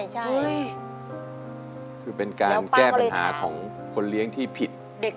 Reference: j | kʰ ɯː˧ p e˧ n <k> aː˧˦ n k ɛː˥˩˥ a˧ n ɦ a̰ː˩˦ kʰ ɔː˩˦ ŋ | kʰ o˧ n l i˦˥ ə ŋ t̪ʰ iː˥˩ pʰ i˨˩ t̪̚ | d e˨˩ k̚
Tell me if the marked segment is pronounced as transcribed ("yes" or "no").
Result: yes